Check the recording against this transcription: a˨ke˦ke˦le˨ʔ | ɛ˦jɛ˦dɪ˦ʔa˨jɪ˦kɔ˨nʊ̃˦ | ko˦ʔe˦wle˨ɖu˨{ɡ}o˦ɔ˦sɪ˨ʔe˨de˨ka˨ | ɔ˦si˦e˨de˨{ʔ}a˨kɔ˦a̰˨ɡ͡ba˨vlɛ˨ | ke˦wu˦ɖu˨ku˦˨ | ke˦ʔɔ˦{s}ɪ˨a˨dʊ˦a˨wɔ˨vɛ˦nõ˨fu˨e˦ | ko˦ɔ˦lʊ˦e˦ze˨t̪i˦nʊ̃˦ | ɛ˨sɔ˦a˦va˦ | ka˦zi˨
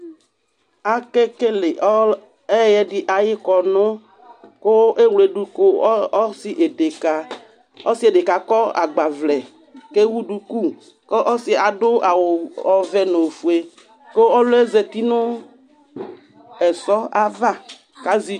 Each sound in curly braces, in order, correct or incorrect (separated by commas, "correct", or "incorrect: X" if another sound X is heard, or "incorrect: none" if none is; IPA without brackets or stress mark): incorrect: k, incorrect: k, correct